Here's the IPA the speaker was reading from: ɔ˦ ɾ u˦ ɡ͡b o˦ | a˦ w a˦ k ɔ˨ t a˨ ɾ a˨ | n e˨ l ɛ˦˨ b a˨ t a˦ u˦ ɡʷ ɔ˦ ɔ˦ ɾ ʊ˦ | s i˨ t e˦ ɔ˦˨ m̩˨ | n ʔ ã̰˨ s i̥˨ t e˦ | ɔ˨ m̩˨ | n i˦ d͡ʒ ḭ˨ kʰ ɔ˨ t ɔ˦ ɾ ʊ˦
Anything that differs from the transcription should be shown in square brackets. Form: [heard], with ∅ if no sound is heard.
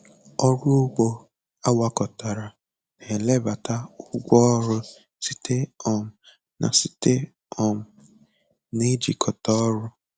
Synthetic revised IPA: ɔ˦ ɾ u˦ ɡ͡b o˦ | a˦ w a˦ k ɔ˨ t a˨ ɾ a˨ | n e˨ l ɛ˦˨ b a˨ t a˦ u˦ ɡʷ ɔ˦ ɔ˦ ɾ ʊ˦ | s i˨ t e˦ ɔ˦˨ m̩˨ | n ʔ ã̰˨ s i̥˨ t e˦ | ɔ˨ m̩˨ | n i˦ d͡ʒ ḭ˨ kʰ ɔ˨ t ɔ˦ ɾ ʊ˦